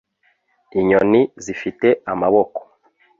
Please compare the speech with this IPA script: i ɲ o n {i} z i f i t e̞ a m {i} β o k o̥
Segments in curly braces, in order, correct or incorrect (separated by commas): correct, incorrect